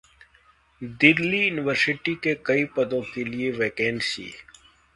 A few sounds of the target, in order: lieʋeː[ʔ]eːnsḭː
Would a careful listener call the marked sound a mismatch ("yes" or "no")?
yes